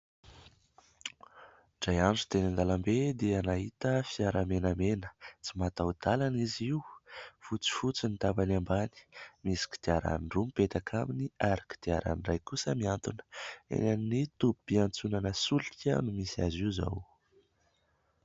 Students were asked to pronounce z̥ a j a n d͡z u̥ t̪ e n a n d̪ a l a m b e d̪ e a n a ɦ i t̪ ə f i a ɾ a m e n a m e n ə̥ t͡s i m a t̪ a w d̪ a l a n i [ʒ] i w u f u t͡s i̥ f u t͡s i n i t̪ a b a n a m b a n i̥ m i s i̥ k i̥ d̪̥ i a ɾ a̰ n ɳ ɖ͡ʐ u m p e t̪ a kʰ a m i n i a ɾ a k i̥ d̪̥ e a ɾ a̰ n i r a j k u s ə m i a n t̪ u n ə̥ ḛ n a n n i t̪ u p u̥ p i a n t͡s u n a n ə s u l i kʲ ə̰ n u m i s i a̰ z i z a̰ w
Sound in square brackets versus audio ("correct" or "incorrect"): incorrect